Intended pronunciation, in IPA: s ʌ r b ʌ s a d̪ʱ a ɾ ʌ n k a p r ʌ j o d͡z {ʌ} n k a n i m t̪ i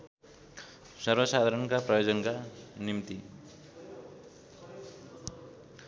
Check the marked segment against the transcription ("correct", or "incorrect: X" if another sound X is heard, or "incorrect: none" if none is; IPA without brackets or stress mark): correct